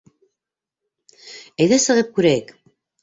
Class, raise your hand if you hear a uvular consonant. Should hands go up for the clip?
yes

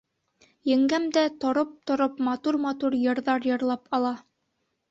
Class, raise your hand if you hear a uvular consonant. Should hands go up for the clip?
no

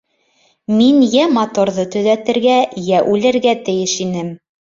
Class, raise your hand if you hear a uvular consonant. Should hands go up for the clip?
no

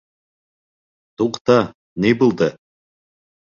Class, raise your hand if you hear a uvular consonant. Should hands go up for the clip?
yes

